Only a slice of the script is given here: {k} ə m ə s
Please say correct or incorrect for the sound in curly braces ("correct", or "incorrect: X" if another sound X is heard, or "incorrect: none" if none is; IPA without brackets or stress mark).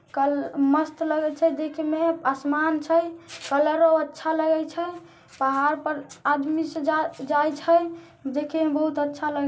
correct